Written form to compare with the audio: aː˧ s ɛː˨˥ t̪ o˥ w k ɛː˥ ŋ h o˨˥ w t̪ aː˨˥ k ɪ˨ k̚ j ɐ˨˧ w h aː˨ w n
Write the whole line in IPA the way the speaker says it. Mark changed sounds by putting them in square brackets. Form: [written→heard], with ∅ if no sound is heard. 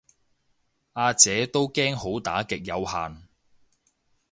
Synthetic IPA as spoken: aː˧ [s→t͡s] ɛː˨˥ t̪ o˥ w k ɛː˥ ŋ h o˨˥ w t̪ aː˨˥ k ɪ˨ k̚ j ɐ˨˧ w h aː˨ [w→∅] n